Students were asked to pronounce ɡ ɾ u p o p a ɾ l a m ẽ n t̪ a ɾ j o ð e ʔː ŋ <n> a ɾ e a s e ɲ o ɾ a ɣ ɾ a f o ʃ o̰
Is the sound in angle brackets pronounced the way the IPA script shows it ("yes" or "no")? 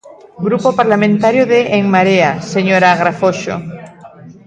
no